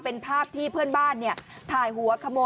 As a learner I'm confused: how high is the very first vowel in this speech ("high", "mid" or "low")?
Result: mid